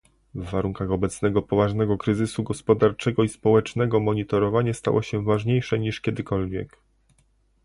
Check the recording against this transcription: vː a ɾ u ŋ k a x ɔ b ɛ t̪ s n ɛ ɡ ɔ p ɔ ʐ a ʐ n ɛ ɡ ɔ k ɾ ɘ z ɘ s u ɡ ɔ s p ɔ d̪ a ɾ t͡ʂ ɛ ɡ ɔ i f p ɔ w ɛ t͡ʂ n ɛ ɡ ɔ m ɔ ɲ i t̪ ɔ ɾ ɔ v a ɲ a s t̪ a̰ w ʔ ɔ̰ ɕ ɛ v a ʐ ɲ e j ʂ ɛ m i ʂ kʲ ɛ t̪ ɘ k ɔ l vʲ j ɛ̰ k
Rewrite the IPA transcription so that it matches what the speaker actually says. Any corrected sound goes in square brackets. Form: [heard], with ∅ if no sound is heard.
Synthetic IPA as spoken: vː a ɾ u ŋ k a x ɔ b ɛ t̪ s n ɛ ɡ ɔ p ɔ [v] a ʐ n ɛ ɡ ɔ k ɾ ɘ z ɘ s u ɡ ɔ s p ɔ d̪ a ɾ t͡ʂ ɛ ɡ ɔ i [s] p ɔ w ɛ t͡ʂ n ɛ ɡ ɔ m ɔ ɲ i t̪ ɔ ɾ ɔ v a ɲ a s t̪ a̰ w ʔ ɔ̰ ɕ ɛ v a ʐ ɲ e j ʂ ɛ [ɲ] i ʂ kʲ ɛ [d̪] ɘ k ɔ l vʲ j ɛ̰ k